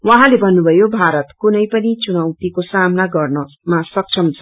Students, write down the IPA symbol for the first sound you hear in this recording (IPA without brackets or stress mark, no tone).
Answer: w